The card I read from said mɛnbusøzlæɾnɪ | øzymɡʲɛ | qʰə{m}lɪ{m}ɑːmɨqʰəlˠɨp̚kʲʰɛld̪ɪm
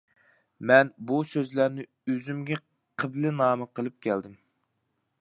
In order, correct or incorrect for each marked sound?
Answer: incorrect: b, incorrect: n

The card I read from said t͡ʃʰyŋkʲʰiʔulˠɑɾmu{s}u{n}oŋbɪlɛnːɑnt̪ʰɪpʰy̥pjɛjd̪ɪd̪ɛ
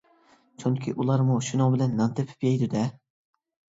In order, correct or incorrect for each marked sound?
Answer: incorrect: ʃ, correct

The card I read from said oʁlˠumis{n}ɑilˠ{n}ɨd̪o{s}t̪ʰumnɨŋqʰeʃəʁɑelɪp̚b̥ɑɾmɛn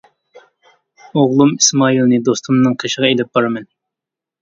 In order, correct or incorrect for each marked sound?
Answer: incorrect: m, correct, correct

